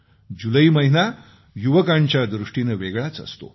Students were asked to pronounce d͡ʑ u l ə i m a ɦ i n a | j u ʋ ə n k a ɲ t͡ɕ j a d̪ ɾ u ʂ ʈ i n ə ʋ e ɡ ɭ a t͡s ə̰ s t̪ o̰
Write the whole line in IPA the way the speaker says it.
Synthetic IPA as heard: d͡ʑ u l ə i m ə ɦ i n a | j u ʋ ə k a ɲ t͡ɕ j a d̪ ɾ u ʂ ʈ i n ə ʋ e ɡ ɭ a t͡s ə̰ s t̪ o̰